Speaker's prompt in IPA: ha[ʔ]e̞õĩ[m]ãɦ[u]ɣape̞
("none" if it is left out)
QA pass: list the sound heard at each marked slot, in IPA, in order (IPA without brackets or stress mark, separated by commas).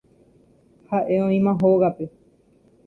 ʔ, m, o